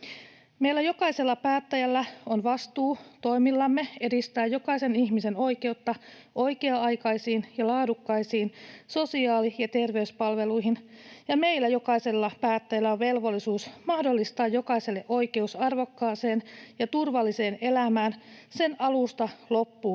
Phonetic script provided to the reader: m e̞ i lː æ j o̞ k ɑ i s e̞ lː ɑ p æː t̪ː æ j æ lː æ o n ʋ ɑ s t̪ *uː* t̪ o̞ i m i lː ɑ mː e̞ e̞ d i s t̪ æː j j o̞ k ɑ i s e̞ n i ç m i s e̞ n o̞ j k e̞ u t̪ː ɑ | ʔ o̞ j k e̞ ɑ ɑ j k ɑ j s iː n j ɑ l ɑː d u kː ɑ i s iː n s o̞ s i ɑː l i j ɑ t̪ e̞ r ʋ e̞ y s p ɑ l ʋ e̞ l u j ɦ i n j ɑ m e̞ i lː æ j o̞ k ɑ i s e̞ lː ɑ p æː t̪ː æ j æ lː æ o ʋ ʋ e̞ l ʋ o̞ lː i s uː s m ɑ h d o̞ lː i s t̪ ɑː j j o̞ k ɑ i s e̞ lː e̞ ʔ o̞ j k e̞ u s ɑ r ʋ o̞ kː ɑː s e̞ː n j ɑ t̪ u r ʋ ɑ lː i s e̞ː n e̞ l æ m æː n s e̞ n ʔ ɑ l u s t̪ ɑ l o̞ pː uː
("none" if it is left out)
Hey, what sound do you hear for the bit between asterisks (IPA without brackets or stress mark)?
uː